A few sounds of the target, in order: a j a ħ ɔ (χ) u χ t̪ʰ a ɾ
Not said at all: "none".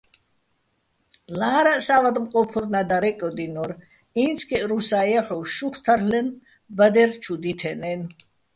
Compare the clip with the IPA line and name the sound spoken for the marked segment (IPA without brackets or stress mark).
ʃ